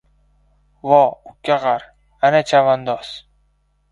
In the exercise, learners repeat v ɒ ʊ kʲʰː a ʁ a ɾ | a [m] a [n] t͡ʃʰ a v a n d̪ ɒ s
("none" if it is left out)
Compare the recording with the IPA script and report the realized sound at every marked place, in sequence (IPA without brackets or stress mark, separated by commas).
n, none